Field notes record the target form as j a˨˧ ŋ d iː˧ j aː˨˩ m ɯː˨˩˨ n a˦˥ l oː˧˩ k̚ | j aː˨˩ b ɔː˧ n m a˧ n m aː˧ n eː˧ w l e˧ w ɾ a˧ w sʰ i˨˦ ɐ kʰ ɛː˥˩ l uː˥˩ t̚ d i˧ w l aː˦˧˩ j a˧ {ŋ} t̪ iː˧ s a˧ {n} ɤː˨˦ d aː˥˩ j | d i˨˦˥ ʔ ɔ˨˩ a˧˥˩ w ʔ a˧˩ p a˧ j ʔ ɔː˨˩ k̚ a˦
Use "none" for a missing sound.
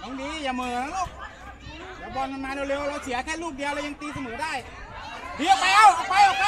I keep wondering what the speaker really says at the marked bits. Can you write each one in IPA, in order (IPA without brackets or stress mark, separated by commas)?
ŋ, m